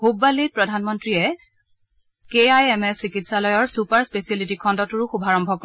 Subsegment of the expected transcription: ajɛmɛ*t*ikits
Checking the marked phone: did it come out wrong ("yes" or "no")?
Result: yes